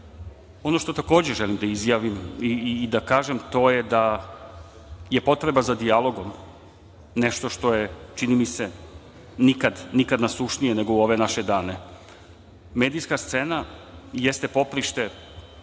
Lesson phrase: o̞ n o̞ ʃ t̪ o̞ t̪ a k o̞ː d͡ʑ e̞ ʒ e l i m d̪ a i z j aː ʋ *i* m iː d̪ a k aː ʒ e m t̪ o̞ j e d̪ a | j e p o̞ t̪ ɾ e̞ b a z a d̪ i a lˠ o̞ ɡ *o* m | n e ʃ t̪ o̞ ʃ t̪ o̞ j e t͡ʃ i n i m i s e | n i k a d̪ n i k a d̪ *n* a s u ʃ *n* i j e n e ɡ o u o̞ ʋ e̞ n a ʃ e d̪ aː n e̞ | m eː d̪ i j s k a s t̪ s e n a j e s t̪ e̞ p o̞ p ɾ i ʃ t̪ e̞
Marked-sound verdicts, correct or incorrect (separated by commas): correct, correct, correct, correct